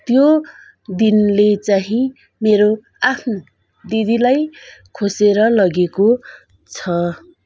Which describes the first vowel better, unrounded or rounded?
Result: rounded